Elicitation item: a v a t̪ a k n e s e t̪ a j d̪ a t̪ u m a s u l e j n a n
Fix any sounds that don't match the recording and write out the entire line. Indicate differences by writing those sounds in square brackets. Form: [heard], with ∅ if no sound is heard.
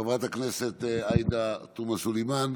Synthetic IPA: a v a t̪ a k n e s e t̪ a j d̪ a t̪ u m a s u l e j [m] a n